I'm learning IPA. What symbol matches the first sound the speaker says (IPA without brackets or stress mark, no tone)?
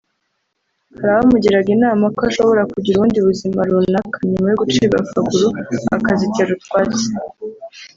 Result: h